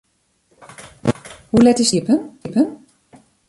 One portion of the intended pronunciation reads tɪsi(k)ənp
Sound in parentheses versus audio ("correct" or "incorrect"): incorrect